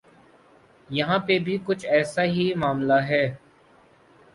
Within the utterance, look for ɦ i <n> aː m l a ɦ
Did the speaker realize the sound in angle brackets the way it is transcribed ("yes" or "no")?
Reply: no